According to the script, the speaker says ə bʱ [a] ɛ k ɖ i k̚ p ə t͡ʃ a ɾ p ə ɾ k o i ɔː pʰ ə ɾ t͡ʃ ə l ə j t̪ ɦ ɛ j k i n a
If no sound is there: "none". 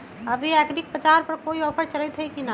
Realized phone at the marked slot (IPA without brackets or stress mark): i